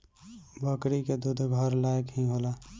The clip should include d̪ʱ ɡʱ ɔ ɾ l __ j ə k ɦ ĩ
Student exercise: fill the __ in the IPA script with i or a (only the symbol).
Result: a